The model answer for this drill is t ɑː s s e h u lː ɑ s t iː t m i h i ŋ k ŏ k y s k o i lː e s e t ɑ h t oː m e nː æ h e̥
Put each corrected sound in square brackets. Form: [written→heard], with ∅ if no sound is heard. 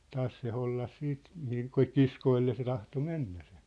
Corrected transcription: t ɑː s s e h [u→o] lː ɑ s [t→s] iː t m i h i ŋ k ŏ k [y→i] s k o i lː e s e t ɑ h t [oː→o] m e nː æ [h→s] e̥

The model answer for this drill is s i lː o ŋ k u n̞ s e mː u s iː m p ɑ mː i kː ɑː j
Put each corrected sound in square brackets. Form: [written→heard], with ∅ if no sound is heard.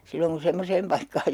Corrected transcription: s i lː o ŋ k u n̞ s e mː [u→o] s [iː→eː] m p ɑ [mː→∅] i kː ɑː j

